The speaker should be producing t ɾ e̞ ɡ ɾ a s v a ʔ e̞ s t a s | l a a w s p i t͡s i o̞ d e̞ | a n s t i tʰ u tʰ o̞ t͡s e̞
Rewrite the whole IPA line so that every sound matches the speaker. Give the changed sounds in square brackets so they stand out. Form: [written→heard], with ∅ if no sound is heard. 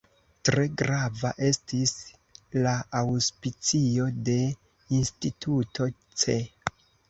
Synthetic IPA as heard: t ɾ e̞ ɡ ɾ a [s→∅] v a ʔ e̞ s t [a→i] s | l a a w s p i t͡s i o̞ d e̞ | [a→i] n s t i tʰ u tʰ o̞ t͡s e̞